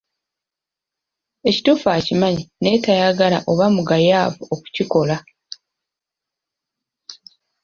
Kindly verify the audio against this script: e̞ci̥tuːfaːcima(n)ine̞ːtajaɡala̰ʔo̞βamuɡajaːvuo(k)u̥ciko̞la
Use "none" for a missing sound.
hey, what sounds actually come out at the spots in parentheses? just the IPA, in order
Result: ɲ, k

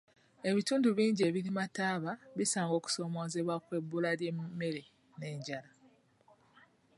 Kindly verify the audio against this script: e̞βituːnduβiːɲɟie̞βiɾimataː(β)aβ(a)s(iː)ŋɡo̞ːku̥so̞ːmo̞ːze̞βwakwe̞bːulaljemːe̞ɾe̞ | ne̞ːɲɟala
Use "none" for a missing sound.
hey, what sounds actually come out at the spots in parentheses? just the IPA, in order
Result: β, i, aː

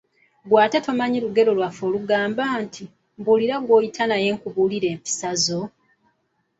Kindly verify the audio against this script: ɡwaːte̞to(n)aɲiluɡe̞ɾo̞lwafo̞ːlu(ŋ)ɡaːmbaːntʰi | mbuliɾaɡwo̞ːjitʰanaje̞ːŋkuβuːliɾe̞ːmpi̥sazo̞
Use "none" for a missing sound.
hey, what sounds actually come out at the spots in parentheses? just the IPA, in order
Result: m, none

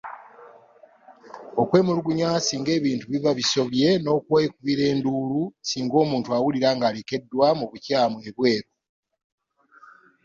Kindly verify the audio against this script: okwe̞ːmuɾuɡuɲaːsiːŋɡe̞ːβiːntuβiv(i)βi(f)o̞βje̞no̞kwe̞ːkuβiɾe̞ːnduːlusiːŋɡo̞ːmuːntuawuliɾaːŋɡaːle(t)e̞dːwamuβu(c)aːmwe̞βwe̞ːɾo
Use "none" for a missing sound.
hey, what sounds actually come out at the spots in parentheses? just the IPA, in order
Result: a, s, k, c

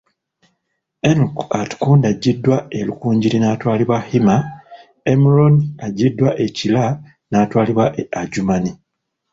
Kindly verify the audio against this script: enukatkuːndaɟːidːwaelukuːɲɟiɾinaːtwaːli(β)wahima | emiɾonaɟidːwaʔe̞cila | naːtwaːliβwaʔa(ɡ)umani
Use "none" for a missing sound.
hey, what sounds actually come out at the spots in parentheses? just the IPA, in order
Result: β, ɟ

